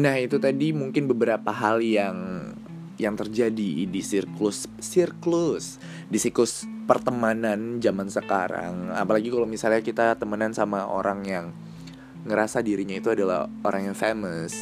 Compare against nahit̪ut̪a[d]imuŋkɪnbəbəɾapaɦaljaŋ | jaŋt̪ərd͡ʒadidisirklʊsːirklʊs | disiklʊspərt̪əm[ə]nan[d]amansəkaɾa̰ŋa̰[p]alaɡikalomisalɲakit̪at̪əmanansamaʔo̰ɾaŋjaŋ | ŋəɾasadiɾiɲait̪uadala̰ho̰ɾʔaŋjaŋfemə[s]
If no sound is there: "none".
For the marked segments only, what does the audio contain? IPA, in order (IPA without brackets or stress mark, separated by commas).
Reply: d, a, d͡ʒ, p, s